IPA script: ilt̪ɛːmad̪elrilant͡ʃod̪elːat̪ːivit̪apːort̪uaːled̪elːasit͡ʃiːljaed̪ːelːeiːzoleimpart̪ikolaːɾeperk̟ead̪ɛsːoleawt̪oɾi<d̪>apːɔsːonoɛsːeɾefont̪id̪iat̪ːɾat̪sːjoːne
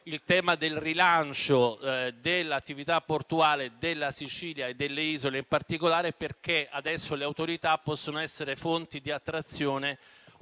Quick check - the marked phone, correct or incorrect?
incorrect